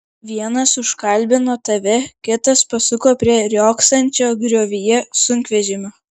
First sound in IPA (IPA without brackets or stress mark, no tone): ʋʲ